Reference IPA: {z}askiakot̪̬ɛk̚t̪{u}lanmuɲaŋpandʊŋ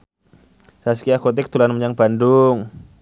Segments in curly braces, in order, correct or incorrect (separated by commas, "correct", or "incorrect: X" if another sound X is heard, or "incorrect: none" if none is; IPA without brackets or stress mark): incorrect: s, correct